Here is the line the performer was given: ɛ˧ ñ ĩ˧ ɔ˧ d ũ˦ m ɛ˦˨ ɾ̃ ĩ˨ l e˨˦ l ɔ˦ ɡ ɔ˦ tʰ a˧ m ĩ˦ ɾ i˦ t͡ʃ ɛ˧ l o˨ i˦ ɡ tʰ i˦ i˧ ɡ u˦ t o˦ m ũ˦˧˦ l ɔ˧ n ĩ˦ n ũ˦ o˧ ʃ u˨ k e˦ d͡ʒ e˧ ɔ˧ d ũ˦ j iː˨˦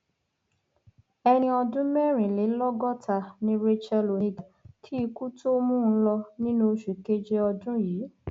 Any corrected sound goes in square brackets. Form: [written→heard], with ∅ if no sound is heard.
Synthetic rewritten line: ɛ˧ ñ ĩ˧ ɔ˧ d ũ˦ m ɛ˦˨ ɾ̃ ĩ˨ l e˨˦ l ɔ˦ ɡ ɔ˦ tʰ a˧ [m→n] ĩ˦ ɾ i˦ t͡ʃ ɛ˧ l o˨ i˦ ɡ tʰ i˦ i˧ [ɡ→k] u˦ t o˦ m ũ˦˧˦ l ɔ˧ n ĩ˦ n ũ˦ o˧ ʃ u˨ k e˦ d͡ʒ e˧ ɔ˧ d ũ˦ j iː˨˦